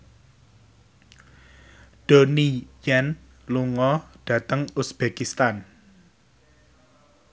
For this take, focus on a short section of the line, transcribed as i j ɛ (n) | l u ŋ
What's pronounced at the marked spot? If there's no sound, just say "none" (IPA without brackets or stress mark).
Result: n